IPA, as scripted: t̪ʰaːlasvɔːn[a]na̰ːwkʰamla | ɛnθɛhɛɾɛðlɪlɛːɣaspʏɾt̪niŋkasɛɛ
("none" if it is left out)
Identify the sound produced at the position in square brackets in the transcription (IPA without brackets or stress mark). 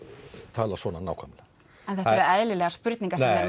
a